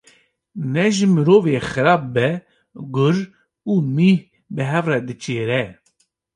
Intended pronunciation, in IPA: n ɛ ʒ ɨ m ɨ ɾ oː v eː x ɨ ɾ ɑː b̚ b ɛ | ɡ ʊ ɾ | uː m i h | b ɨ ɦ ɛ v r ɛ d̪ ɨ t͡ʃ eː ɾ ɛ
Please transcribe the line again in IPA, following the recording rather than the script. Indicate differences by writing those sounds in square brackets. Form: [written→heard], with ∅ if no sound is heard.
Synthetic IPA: n ɛ ʒ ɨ m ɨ ɾ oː v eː x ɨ ɾ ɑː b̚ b ɛ | ɡ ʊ ɾ | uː m i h | b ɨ ɦ ɛ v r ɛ d̪ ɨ t͡ʃ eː ɾ ɛ